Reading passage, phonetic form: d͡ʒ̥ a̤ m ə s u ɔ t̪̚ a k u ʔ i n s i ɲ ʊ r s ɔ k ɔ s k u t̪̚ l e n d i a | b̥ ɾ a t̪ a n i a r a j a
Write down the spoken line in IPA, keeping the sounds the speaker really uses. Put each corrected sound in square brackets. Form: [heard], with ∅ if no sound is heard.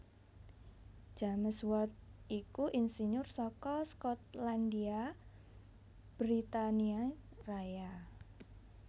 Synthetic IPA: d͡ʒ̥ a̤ m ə s [w] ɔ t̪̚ [i] k u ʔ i n s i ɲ ʊ r s ɔ k ɔ s k [ɔ] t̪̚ l [a] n d i a | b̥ ɾ [i] t̪ a n i a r a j a